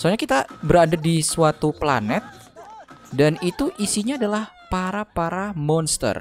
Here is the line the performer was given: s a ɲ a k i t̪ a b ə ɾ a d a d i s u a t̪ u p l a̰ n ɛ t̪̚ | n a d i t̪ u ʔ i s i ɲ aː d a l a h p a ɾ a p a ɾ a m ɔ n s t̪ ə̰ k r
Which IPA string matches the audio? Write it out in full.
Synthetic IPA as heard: s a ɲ a k i t̪ a b ə ɾ a d a d i s u a t̪ u p l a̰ n ɛ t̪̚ | d a n i t̪ u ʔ i s i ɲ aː d a l a h p a ɾ a p a ɾ a m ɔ n s t̪ ə̰ r